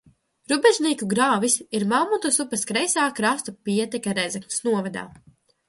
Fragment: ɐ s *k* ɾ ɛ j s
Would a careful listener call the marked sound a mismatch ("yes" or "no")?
no